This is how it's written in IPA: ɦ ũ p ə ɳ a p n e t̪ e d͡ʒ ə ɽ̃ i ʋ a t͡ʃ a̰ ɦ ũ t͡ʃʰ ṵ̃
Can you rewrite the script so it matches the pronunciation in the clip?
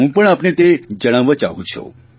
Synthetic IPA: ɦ ũ p ə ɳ a p n e t̪ e d͡ʒ ə ɽ̃ a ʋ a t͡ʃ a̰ ɦ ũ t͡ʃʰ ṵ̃